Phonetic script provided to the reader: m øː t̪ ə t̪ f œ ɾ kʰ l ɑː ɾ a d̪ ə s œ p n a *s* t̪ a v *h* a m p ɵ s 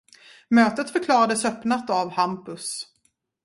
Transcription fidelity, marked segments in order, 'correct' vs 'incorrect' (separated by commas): incorrect, correct